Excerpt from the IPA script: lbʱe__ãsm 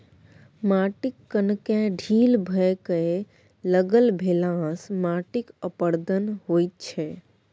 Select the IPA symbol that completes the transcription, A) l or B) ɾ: A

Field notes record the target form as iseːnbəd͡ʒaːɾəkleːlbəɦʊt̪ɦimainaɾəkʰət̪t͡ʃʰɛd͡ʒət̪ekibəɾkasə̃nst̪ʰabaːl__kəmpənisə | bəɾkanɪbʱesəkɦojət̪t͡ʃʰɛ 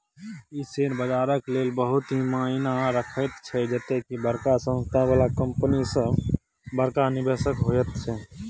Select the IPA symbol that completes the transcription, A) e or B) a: B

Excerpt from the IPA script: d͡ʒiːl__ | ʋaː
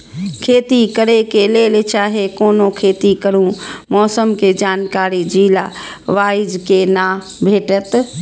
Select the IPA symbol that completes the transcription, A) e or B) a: B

